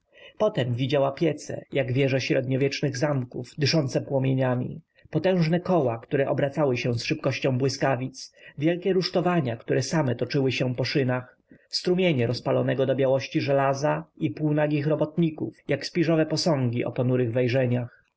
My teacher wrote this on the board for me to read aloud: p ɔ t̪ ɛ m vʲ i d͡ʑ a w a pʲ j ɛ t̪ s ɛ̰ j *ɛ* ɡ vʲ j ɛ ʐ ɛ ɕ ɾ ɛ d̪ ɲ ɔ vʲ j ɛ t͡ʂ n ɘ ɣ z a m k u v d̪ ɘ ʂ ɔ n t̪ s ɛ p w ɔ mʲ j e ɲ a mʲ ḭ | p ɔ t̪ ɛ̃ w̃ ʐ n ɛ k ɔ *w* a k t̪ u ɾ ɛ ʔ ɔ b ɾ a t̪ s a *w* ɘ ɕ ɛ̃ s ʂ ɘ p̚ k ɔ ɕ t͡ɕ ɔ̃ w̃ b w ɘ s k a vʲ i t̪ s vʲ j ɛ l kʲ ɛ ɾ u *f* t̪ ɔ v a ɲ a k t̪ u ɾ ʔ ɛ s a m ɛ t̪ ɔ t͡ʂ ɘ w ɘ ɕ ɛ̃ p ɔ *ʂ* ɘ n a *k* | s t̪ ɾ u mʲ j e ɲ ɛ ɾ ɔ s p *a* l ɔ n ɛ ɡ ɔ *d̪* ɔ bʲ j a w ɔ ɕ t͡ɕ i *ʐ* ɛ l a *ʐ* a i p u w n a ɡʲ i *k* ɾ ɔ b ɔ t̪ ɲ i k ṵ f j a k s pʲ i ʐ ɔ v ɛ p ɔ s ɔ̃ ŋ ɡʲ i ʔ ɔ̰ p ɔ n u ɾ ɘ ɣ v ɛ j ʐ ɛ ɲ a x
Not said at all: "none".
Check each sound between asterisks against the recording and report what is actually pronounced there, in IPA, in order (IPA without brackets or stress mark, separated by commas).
a, w, w, ʂ, ʂ, x, a, d̪, ʐ, z, x